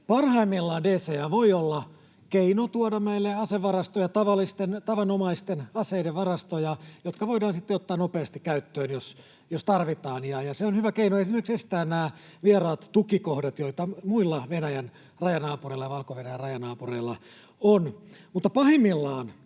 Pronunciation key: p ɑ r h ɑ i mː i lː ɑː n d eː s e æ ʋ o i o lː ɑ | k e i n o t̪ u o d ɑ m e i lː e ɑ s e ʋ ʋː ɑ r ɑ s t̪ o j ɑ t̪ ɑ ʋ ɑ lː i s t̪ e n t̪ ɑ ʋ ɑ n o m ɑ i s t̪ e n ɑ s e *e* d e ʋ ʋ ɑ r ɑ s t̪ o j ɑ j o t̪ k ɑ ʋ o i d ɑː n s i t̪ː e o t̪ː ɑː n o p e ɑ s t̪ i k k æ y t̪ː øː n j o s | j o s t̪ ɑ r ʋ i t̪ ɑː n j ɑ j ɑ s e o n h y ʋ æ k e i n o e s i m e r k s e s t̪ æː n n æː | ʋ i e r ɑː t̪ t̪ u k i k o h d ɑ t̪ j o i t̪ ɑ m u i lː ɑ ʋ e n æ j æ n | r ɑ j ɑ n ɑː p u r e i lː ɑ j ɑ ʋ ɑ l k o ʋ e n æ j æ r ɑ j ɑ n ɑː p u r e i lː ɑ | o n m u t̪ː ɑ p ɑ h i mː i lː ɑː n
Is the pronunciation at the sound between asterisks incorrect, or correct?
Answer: incorrect